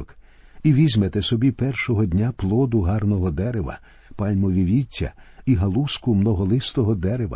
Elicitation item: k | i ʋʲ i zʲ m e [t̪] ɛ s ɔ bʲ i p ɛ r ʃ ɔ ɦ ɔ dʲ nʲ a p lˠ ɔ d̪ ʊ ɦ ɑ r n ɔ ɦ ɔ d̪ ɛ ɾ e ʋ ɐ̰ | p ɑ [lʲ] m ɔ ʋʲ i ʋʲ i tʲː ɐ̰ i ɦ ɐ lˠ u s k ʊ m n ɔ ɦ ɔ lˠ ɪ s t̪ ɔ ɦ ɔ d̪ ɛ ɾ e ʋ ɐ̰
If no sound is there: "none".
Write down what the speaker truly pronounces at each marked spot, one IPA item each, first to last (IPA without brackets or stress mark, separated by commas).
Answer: t̪, lʲ